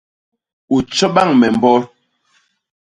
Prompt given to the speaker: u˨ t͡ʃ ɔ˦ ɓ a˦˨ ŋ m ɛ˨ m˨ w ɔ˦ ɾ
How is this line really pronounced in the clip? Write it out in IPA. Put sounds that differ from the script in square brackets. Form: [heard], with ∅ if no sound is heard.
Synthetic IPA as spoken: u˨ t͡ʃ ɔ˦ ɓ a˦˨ ŋ m ɛ˨ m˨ [b] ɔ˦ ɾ